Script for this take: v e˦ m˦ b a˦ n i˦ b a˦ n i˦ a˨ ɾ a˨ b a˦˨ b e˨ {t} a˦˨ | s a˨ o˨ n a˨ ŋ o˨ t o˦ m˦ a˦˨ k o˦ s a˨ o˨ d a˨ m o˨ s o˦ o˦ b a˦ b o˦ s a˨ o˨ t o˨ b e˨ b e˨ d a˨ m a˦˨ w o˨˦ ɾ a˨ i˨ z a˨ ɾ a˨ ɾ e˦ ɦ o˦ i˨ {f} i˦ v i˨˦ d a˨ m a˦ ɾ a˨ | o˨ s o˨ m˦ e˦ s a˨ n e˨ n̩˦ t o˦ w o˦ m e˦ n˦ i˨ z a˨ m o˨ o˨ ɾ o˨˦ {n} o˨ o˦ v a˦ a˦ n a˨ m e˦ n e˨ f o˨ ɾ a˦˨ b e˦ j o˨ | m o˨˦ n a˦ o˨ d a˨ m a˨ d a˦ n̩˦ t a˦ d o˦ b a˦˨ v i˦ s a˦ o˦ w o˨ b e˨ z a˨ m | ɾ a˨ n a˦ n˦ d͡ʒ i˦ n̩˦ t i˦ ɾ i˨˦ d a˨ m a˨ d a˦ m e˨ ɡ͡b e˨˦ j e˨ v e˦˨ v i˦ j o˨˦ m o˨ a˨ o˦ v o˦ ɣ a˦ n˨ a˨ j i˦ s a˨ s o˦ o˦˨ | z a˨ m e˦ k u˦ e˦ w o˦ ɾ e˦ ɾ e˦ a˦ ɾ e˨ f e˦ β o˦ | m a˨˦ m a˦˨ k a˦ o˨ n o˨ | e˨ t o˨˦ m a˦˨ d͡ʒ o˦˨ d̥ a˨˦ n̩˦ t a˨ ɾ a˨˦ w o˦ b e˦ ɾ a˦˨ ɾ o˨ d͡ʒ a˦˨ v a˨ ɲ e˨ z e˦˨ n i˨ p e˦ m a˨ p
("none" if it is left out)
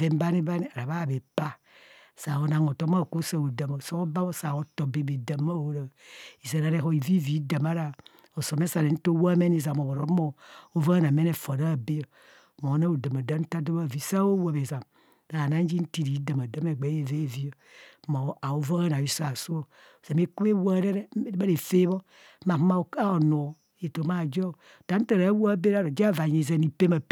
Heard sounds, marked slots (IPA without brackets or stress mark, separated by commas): p, v, m